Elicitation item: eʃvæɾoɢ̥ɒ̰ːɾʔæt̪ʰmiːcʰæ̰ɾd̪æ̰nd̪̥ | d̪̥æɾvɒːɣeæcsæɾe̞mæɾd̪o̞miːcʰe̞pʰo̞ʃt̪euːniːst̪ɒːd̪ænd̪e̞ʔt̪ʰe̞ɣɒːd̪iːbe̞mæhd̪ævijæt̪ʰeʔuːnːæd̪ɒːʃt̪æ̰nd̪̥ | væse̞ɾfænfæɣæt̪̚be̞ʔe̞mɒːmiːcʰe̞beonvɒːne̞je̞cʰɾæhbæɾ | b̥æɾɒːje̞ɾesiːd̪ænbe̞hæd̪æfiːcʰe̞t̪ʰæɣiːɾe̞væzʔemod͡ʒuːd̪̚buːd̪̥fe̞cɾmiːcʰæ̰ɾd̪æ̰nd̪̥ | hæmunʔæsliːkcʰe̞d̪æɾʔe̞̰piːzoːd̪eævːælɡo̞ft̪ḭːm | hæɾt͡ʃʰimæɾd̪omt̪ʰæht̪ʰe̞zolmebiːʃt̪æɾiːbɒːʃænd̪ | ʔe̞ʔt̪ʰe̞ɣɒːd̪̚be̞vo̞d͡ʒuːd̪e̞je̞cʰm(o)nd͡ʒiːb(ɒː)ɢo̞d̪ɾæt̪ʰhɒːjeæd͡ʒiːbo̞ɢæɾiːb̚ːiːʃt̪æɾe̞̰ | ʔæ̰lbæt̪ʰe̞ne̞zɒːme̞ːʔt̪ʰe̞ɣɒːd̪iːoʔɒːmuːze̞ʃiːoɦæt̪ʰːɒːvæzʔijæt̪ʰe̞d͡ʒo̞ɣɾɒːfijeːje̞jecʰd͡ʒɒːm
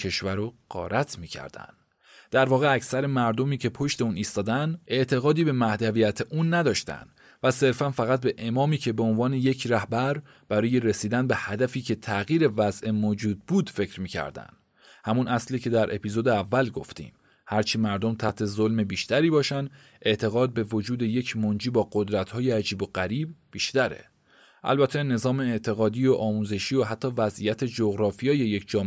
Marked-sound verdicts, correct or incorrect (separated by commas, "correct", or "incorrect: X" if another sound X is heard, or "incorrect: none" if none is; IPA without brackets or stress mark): correct, correct